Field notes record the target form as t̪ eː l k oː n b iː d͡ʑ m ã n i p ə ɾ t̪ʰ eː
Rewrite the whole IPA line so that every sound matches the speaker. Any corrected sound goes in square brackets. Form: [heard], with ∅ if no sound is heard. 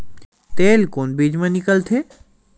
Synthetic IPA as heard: t̪ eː l k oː n b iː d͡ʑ m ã n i [k] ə [l] t̪ʰ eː